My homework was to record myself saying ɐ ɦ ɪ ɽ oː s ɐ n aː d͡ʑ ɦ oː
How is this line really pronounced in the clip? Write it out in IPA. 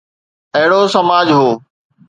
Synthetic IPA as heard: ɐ ɦ ɪ ɽ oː s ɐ m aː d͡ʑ ɦ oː